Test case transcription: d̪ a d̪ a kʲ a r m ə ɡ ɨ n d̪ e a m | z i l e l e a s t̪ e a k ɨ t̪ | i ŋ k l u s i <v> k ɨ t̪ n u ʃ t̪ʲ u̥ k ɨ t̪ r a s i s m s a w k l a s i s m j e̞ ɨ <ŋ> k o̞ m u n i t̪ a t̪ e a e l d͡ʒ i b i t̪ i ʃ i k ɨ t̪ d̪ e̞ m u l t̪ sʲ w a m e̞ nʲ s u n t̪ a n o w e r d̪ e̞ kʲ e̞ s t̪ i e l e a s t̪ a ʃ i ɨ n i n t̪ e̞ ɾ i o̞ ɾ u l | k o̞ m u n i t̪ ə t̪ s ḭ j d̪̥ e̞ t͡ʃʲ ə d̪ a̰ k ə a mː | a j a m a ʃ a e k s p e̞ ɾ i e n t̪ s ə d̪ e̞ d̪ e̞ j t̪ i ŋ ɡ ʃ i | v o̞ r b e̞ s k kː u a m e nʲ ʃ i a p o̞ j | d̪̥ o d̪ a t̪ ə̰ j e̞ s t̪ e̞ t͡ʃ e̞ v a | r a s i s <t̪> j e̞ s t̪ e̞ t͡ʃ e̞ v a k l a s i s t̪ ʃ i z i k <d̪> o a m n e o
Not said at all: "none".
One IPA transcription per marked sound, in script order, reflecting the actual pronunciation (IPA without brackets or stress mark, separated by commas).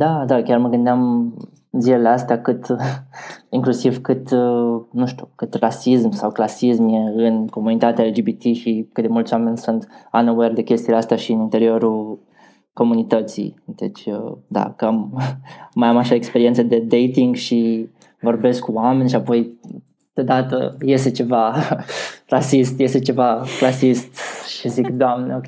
v, n, t̪, d̪